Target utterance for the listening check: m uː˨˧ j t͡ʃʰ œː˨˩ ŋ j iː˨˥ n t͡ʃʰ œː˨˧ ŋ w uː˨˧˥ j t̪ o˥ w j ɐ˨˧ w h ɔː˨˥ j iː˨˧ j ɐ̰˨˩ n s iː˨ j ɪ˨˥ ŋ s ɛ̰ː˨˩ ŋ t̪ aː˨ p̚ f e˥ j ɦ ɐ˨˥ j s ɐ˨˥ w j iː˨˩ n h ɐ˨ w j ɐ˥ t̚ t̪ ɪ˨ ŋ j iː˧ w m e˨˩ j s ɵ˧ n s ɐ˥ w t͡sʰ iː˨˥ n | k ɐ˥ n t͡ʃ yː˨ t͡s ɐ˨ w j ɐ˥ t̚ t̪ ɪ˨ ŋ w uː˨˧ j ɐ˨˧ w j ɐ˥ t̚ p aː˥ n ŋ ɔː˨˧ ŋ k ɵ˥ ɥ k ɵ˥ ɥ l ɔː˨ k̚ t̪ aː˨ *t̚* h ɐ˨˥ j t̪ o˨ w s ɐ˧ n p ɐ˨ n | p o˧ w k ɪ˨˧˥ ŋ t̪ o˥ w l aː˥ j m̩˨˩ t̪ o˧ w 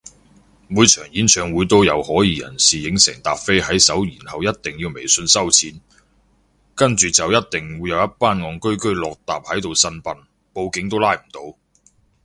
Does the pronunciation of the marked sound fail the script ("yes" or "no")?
yes